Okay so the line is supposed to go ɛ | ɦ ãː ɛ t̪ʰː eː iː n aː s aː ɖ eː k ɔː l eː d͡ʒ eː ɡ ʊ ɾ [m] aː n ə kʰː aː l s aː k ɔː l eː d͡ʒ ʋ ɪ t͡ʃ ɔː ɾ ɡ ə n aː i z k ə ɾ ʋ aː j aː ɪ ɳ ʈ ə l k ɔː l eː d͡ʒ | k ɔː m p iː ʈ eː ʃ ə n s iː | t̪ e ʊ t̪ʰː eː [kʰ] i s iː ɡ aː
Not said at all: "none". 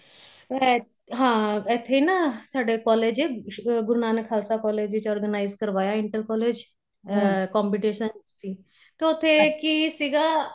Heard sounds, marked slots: n, k

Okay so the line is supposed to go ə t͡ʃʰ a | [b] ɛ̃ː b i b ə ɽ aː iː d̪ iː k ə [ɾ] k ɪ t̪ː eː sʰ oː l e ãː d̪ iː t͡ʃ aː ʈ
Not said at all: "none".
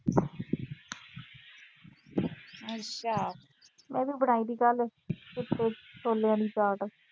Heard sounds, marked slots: m, l

